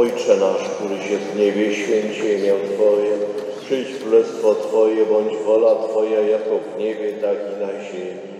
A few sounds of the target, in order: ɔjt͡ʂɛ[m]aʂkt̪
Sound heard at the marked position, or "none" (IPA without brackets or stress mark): n